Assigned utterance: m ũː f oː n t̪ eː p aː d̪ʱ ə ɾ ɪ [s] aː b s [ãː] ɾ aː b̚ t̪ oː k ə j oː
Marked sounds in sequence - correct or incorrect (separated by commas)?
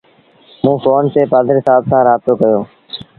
correct, correct